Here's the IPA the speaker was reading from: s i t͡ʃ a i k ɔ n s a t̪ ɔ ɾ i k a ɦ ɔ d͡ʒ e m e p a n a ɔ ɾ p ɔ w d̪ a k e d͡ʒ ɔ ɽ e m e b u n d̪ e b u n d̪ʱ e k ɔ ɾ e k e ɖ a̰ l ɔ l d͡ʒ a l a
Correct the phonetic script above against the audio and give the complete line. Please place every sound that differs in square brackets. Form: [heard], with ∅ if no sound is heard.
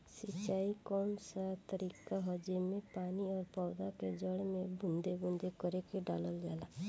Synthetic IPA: s i t͡ʃ a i k ɔ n s a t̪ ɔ ɾ i k a ɦ ɔ d͡ʒ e m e p a n [i] ɔ ɾ p ɔ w d̪ a k e d͡ʒ ɔ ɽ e m e b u n d̪ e b u n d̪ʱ e k ɔ ɾ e k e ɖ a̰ l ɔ l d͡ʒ a l a

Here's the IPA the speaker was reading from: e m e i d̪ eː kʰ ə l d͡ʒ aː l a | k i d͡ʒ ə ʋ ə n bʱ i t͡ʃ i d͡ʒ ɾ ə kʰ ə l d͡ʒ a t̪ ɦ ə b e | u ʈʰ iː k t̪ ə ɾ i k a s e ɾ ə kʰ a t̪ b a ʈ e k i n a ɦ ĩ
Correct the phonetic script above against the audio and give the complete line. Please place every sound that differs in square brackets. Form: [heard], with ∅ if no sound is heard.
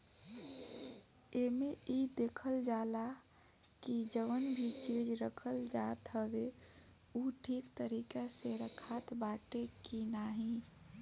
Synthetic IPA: e m e i d̪ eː kʰ ə l d͡ʒ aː l a | k i d͡ʒ ə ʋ ə n bʱ i t͡ʃ i d͡ʒ ɾ ə kʰ ə l d͡ʒ a t̪ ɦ ə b e | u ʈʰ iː k t̪ ə ɾ i k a s e ɾ ə kʰ a t̪ b a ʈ e k i n a ɦ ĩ

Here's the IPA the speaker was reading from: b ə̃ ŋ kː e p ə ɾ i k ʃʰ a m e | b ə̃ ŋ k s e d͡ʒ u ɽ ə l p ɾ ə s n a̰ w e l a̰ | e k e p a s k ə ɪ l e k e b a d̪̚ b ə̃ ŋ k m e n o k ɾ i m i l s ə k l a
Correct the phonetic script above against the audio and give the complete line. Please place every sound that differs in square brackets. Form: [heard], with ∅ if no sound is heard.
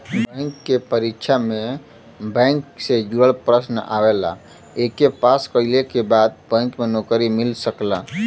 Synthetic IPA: b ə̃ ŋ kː e p ə ɾ i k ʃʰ a m e | b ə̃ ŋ k s e d͡ʒ u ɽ ə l p ɾ ə s n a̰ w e l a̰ | e k e p a s k ə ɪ l e k e b a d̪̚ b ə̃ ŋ k m e n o k ɾ i m i l s ə k l a

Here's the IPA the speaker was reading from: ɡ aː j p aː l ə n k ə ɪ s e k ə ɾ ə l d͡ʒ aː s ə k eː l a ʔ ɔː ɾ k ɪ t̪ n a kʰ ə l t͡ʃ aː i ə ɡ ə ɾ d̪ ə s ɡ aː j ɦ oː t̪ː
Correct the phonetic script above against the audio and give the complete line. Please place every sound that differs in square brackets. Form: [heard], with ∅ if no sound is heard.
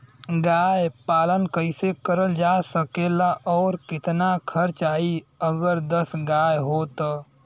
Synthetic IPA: ɡ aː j p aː l ə n k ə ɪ s e k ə ɾ ə l d͡ʒ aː s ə k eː l a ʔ ɔː ɾ k ɪ t̪ n a kʰ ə [ɾ] t͡ʃ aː i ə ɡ ə ɾ d̪ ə s ɡ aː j ɦ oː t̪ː

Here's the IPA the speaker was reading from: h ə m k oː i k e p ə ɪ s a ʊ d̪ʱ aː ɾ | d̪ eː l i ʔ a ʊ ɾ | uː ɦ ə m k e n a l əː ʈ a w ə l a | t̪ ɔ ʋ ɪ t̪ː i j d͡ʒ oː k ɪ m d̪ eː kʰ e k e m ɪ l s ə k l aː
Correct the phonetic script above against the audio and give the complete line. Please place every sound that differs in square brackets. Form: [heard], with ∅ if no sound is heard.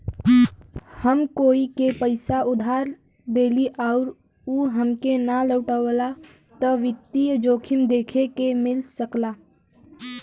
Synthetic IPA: h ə m k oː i k e p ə ɪ s a ʊ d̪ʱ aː ɾ | d̪ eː l i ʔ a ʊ ɾ | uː ɦ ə m k e n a l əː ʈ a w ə l a | t̪ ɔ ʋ ɪ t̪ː i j d͡ʒ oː [kʰ] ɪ m d̪ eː kʰ e k e m ɪ l s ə k l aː

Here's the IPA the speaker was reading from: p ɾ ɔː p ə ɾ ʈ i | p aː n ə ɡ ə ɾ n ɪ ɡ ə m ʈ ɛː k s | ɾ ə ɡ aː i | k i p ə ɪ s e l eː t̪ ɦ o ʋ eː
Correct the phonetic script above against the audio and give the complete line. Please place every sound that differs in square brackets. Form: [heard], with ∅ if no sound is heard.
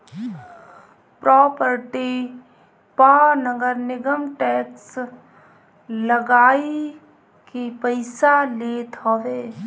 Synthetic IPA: p ɾ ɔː p ə ɾ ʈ i | p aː n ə ɡ ə ɾ n ɪ ɡ ə m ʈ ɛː k s | [l] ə ɡ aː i | k i p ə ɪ s [a] l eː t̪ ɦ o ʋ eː

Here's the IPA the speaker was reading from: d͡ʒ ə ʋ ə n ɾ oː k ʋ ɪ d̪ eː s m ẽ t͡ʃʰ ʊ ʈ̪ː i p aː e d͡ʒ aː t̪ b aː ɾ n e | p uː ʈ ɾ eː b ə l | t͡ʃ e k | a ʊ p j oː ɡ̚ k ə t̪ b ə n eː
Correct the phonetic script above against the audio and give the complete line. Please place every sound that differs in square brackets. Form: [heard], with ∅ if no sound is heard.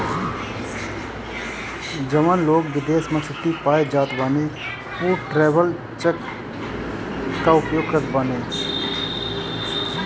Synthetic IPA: d͡ʒ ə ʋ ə n [l] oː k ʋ ɪ d̪ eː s m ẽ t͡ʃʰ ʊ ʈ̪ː i p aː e d͡ʒ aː t̪ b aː [∅] n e | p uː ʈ ɾ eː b ə l | t͡ʃ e k | a ʊ p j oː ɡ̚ k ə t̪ b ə n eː

